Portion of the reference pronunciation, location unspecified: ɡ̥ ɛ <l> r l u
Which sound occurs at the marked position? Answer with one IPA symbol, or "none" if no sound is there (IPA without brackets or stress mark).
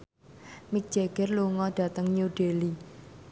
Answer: none